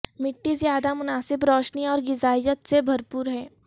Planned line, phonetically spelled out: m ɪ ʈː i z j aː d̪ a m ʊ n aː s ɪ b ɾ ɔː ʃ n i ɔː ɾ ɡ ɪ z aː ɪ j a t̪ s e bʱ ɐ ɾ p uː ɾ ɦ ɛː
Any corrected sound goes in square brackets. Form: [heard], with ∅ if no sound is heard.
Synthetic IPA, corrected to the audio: m ɪ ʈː i z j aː d̪ a m ʊ n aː s ɪ b ɾ ɔː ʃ n i ɔː ɾ ɡ ɪ z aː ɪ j [ə] t̪ s e bʱ ɐ ɾ p uː ɾ ɦ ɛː